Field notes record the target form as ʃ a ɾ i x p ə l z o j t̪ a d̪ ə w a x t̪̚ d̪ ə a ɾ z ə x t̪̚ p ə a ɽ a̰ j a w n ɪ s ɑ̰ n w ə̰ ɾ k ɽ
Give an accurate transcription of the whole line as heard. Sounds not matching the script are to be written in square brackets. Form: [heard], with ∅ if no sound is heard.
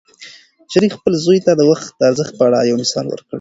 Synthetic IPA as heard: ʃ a ɾ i x p ə l z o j t̪ a d̪ ə w a x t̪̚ d̪ ə a ɾ z ə x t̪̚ p ə a ɽ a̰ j a w n ɪ s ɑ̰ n w ə̰ ɾ k ɽ